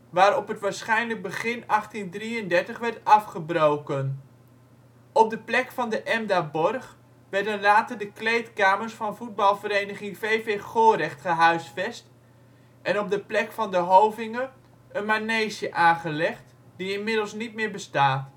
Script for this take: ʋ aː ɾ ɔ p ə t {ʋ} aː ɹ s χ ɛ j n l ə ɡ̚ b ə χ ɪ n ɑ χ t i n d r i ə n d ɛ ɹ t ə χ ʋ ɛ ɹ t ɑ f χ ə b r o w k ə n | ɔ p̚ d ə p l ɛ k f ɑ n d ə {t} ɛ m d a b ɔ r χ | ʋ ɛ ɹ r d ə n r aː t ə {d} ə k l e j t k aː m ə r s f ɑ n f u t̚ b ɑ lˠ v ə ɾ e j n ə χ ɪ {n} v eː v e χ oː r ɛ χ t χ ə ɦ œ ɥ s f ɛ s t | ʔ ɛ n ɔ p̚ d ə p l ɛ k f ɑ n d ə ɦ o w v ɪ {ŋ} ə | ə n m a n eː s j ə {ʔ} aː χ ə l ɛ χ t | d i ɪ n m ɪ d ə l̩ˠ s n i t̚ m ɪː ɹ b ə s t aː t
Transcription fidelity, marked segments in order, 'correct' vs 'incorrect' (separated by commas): correct, incorrect, correct, incorrect, correct, correct